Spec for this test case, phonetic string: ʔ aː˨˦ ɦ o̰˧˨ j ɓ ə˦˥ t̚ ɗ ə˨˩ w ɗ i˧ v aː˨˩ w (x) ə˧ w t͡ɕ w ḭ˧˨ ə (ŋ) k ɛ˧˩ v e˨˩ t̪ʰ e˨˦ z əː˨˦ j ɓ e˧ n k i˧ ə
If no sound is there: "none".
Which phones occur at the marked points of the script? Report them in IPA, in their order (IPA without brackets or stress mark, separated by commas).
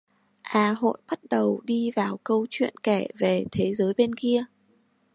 k, n